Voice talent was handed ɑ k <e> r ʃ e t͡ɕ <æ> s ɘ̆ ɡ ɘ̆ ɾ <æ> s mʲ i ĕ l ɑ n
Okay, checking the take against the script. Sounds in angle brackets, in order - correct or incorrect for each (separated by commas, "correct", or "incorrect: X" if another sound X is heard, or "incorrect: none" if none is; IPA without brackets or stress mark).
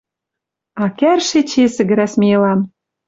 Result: incorrect: æ, incorrect: e, correct